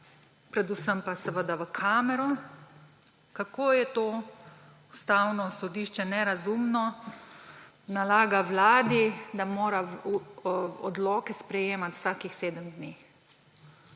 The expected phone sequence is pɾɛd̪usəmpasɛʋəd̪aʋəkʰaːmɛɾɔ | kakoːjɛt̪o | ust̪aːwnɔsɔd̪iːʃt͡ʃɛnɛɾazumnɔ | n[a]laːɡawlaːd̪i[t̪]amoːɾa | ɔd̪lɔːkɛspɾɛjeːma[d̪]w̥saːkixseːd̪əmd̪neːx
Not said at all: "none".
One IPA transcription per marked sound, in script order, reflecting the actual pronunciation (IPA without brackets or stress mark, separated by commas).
a, d̪, t̪